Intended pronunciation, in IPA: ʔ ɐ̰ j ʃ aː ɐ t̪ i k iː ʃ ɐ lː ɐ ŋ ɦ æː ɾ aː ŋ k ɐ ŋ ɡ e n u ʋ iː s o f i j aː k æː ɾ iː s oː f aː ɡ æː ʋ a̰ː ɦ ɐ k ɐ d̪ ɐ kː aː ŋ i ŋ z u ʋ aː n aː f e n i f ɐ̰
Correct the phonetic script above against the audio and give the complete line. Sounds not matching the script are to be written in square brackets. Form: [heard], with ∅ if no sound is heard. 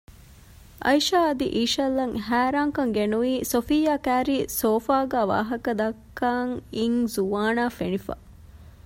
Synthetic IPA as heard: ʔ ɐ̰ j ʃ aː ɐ [d̪] i [ʔ] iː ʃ ɐ lː ɐ ŋ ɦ æː ɾ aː ŋ k ɐ ŋ ɡ e n u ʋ iː s o f i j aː k æː ɾ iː s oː f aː ɡ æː ʋ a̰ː ɦ ɐ k ɐ d̪ ɐ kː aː ŋ i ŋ z u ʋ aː n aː f e n i f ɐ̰